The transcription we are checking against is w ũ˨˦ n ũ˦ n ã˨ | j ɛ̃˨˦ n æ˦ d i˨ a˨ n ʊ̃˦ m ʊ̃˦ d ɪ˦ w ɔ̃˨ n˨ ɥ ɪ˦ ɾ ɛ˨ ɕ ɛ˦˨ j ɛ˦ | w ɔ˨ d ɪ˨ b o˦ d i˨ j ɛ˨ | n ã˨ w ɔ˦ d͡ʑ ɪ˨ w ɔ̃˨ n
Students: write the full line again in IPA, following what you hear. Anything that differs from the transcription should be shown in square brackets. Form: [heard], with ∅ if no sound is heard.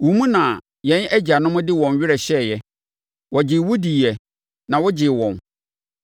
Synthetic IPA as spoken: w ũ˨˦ [m] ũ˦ n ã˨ | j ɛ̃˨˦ n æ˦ [d͡ʑ] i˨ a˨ n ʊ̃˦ m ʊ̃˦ d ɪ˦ w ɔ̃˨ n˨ ɥ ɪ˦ ɾ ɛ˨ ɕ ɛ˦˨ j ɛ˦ | w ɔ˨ [d͡ʑ] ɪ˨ [w] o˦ d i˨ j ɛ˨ | n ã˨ w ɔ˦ d͡ʑ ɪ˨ w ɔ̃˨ n